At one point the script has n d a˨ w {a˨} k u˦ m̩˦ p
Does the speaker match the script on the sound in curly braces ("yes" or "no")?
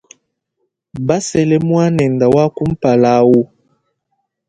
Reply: no